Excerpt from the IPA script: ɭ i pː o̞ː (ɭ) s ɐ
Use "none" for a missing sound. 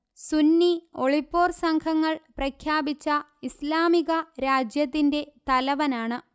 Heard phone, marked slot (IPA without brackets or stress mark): r